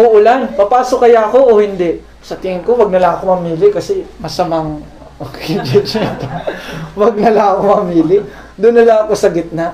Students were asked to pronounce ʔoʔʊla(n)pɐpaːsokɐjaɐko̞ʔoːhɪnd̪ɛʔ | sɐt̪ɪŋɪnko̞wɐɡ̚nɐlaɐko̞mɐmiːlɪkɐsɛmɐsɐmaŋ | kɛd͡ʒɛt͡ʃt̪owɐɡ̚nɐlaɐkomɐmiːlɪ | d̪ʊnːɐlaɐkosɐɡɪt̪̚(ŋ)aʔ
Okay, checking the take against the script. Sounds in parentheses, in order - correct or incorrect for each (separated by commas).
correct, incorrect